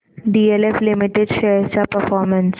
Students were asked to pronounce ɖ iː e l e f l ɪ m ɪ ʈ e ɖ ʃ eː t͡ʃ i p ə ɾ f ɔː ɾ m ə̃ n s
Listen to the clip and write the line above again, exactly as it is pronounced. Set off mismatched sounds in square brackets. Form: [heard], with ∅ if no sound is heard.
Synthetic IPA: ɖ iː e l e f l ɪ m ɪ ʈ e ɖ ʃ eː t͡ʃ [a] p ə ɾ f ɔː ɾ m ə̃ n s